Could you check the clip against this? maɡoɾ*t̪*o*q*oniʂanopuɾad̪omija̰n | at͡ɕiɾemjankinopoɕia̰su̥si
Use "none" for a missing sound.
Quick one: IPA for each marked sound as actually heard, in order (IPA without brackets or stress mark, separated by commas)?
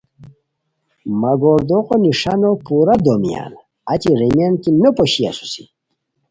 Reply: d̪, q